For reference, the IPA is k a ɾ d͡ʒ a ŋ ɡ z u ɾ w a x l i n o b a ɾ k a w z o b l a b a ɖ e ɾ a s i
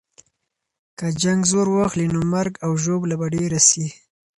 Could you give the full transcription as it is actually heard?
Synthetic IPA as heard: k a d͡ʒ a ŋ ɡ z o ɾ w a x l i n o m a ɾ ɡ a w ʒ o b l a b a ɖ e ɾ a s i